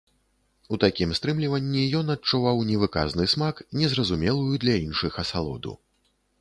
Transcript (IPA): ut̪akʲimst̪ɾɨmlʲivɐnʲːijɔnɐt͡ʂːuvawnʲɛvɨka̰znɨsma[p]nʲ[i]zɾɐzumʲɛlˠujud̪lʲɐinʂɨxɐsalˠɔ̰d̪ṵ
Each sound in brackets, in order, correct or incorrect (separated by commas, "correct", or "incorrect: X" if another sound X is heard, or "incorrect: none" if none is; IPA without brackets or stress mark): incorrect: k, incorrect: ɛ